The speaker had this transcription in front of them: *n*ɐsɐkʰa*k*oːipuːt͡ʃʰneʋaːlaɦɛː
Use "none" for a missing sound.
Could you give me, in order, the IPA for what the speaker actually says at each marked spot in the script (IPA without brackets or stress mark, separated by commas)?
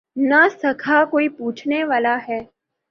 n, k